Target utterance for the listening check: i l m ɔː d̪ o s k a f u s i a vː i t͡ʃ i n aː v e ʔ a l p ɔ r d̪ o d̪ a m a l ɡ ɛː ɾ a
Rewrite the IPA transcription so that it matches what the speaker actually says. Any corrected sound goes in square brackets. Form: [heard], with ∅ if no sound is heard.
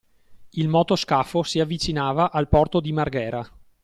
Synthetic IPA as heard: i l m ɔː [t̪] o s k a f [o] s i a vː i t͡ʃ i n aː v [a] ʔ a l p ɔ r [t̪] o d̪ [i] m a [r] ɡ ɛː ɾ a